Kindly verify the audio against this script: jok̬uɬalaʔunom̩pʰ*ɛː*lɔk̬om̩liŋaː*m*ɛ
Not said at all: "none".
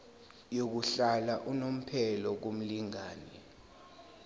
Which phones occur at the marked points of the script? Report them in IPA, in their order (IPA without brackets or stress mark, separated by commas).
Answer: ɛ, n